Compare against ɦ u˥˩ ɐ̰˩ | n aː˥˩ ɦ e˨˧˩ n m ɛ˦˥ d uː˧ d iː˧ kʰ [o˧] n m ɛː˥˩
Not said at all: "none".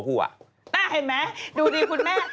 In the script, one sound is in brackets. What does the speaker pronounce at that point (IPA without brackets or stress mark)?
u˧